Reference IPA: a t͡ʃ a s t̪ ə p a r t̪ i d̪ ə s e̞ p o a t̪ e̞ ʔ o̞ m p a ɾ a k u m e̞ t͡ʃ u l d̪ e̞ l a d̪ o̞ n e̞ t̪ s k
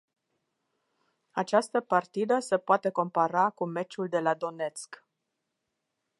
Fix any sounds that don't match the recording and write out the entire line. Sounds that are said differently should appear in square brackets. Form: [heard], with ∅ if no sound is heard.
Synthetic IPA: a t͡ʃ a s t̪ ə p a r t̪ i d̪ ə s e̞ p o a t̪ e̞ [k] o̞ m p a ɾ a k u m e̞ t͡ʃ u l d̪ e̞ l a d̪ o̞ n e̞ t̪ s k